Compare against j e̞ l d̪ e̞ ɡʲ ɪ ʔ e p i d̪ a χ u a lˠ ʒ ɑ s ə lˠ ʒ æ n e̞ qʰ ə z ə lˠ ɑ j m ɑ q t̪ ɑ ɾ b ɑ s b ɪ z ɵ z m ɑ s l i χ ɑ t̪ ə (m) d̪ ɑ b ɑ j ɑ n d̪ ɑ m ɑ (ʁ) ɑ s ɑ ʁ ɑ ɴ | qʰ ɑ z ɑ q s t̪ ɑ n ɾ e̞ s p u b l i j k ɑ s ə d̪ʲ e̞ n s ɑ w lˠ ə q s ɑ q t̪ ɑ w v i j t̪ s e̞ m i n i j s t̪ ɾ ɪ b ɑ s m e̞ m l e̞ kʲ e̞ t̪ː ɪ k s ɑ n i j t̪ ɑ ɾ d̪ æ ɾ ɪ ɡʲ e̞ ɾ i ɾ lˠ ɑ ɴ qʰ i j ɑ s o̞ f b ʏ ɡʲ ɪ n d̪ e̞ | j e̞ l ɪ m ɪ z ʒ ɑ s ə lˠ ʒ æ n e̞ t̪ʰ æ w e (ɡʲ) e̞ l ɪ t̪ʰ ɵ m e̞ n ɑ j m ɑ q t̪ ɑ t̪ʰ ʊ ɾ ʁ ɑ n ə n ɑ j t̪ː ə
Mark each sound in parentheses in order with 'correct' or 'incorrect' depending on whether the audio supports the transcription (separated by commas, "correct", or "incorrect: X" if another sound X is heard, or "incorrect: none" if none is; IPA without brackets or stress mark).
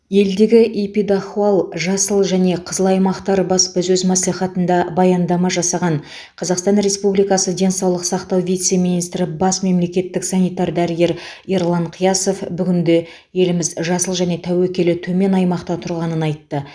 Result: incorrect: n, incorrect: ʒ, incorrect: kʲ